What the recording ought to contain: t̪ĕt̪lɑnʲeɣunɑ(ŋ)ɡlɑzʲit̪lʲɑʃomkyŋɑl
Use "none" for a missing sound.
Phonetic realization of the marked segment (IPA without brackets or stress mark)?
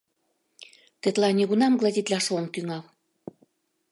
m